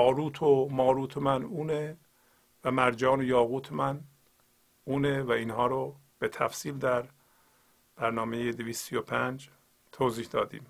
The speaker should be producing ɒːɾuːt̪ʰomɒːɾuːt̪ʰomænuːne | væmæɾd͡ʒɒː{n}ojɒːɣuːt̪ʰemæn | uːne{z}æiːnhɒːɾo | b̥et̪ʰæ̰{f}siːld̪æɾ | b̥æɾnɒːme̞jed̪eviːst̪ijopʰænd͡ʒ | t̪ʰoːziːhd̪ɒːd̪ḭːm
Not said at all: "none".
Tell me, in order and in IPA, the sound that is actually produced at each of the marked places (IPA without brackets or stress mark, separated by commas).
n, v, f